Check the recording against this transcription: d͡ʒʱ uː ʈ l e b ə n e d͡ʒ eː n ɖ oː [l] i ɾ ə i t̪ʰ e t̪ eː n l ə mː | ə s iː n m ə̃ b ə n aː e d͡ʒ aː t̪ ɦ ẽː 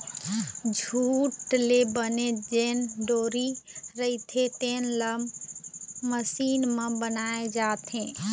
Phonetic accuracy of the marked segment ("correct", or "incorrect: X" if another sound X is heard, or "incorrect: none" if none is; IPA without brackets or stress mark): incorrect: ɾ